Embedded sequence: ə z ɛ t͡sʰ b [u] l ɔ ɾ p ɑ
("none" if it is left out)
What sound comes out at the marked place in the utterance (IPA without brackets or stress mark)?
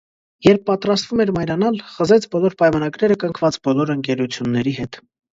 ɔ